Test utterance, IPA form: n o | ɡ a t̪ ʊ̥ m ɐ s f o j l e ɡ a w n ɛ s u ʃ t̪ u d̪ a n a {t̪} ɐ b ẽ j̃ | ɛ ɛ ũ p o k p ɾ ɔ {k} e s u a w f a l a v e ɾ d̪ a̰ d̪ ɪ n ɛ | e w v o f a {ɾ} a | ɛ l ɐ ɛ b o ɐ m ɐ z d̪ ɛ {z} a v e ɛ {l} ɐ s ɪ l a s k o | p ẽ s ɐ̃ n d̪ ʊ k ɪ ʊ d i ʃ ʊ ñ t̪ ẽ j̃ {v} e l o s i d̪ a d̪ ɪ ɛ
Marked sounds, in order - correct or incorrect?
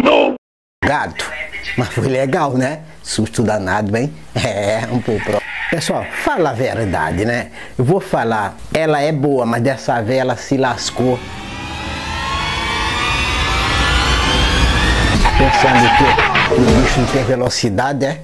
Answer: incorrect: d̪, incorrect: p, incorrect: l, incorrect: s, correct, correct

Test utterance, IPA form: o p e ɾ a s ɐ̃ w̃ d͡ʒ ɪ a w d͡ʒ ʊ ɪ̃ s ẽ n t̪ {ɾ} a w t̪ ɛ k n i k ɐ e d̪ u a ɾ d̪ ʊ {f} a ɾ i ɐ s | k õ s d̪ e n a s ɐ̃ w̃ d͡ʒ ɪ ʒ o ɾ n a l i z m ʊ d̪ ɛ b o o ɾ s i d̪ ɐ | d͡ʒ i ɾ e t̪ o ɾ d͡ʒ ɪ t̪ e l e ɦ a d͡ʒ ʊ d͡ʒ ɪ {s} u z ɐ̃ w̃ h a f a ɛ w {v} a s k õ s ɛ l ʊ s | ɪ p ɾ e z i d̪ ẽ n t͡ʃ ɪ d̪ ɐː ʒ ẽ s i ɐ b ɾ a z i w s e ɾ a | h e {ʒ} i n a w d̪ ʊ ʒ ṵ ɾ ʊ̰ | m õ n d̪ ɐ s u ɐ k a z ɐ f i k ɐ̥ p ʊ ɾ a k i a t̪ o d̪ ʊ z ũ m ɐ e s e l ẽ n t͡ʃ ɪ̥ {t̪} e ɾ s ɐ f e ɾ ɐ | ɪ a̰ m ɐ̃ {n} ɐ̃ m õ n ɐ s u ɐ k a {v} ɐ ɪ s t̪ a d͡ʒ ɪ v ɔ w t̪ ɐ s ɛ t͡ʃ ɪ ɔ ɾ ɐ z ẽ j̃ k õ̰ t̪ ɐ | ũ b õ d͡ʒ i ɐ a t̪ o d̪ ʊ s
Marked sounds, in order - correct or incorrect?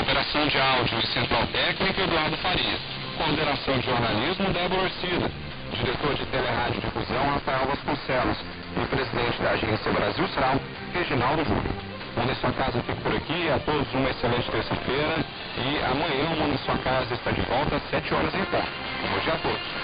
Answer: correct, correct, incorrect: f, correct, correct, correct, incorrect: ɲ, incorrect: z

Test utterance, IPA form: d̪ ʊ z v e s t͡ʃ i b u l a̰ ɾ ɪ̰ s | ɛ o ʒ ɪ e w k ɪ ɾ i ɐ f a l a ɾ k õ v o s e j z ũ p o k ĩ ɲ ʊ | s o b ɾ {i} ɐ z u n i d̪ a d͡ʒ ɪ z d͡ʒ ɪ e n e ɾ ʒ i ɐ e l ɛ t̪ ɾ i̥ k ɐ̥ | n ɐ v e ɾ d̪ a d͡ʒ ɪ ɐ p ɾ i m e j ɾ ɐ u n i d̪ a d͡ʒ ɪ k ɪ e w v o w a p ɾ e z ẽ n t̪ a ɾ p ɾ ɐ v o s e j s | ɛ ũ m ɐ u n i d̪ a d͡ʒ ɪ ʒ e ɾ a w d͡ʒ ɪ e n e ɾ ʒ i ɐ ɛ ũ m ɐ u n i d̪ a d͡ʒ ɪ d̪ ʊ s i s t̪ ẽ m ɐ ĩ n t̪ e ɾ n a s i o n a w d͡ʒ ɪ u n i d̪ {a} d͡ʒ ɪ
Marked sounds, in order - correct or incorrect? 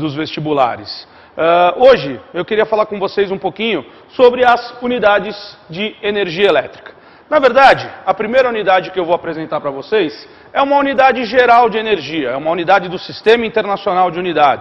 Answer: incorrect: ɪ, correct

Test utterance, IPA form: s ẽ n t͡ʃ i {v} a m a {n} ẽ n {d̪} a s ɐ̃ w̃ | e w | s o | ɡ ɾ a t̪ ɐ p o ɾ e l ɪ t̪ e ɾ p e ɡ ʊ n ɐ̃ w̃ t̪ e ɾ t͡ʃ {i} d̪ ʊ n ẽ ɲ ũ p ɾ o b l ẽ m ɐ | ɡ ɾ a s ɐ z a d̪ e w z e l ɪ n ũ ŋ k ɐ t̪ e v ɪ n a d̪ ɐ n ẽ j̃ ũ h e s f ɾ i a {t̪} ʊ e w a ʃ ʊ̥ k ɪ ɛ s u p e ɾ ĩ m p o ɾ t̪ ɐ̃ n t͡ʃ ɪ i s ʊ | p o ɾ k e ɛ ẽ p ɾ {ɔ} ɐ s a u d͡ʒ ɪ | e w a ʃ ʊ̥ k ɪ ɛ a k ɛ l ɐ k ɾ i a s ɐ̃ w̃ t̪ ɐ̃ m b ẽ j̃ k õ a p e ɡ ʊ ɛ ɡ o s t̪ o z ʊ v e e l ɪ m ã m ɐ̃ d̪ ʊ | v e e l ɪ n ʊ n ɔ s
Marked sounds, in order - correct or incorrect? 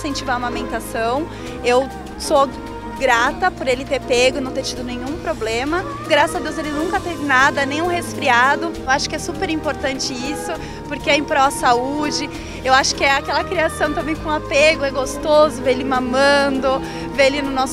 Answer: correct, incorrect: m, incorrect: t̪, correct, incorrect: d̪, correct

